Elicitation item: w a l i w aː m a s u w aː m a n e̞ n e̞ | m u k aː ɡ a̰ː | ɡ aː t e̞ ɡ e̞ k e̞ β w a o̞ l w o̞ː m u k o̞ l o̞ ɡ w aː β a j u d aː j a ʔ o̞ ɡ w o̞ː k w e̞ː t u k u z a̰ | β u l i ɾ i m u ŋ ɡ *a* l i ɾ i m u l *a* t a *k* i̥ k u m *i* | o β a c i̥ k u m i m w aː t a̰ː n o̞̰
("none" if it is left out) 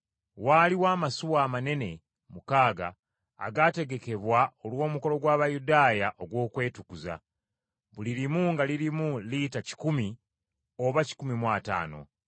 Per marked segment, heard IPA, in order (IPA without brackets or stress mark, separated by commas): a, i, c, i